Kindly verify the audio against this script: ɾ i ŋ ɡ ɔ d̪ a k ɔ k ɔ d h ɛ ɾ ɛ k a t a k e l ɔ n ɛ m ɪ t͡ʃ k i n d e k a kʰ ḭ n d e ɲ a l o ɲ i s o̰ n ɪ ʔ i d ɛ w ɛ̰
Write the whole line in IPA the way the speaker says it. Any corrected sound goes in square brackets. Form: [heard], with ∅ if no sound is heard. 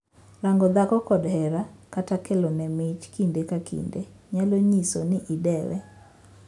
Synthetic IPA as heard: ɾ [a] ŋ ɡ ɔ d̪ a k ɔ k ɔ d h ɛ ɾ [a] k a t a k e l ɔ n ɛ m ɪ t͡ʃ k i n d e k a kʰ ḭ n d e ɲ a l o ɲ i s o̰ n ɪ ʔ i d ɛ w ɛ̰